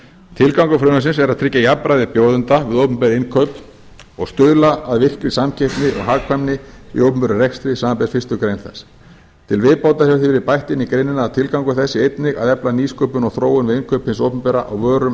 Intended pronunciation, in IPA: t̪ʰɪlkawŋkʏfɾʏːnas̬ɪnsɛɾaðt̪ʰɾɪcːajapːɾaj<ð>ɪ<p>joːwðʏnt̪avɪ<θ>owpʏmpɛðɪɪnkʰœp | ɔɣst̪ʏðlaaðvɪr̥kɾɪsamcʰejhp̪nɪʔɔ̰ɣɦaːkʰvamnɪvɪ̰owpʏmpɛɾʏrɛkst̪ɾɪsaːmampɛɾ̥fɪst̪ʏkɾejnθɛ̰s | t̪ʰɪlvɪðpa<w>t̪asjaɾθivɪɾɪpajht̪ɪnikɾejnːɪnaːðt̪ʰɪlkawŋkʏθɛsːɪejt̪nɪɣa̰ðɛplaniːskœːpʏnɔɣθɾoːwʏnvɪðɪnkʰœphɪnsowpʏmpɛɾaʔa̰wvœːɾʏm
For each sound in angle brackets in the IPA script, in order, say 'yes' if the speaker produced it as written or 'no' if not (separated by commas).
yes, yes, no, yes